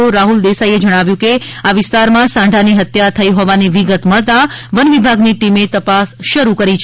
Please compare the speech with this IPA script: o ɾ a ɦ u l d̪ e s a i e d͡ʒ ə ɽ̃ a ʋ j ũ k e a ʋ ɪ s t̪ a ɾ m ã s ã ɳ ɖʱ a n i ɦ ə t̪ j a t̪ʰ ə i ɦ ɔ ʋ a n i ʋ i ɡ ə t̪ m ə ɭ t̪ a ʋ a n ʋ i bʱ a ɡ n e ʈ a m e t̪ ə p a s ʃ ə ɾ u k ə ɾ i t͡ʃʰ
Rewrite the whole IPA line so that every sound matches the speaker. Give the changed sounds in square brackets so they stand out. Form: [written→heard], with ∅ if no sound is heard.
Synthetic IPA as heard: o ɾ a ɦ u l d̪ e s a i e d͡ʒ ə ɽ̃ a ʋ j ũ k e a ʋ ɪ s t̪ a ɾ m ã s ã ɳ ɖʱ a n i ɦ ə t̪ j a t̪ʰ ə i ɦ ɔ ʋ a n i ʋ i ɡ ə t̪ m ə ɭ t̪ a ʋ [a→ə] n ʋ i bʱ a ɡ n [e→i] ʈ [a→i] m e t̪ ə p a s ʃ ə ɾ u k ə ɾ i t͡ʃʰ